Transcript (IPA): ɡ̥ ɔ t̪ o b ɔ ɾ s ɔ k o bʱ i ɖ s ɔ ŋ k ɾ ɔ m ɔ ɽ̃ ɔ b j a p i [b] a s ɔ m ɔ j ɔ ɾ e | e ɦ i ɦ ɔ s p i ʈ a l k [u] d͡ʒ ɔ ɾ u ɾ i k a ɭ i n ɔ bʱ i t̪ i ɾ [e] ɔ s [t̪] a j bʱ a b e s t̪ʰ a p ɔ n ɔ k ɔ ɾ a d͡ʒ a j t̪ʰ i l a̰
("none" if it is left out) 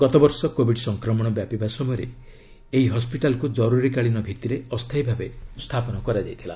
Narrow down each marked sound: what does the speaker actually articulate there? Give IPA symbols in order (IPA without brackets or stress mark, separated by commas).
b, u, e, t̪ʰ